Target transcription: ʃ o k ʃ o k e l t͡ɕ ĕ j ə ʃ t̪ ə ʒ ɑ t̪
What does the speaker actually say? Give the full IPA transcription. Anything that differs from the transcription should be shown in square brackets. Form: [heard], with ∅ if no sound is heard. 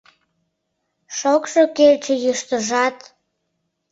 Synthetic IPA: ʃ o k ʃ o k e l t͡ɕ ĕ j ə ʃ t̪ ə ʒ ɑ t̪